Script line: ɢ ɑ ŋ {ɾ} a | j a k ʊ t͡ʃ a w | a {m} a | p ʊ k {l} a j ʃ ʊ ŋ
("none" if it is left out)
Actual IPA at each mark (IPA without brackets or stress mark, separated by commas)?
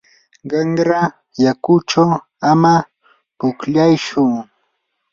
ɾ, m, ʎ